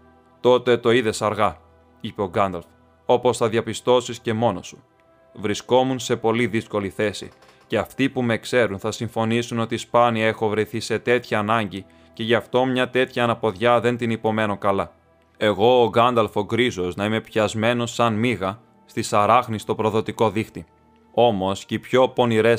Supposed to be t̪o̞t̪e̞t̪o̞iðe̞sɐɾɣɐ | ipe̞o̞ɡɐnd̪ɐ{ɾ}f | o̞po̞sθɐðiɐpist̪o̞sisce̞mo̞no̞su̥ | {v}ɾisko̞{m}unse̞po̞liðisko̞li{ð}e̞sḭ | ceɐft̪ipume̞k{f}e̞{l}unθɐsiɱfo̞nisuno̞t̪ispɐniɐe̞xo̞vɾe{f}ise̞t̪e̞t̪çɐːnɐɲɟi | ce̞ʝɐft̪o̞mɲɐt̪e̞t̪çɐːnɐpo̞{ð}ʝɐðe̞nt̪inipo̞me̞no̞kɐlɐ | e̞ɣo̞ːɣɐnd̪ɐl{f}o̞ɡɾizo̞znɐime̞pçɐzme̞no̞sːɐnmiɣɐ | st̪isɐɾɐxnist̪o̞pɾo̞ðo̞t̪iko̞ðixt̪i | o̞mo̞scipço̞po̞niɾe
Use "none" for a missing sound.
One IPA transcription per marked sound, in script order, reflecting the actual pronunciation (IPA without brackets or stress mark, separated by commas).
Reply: l, v, m, θ, s, ɾ, θ, ð, f